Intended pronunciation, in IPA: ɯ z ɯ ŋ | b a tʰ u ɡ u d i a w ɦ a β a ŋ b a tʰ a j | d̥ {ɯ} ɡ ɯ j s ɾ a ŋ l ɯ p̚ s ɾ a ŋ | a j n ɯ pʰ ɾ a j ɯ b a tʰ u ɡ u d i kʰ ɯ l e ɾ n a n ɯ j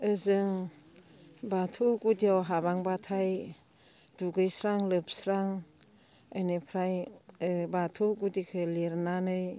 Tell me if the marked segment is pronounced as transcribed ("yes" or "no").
no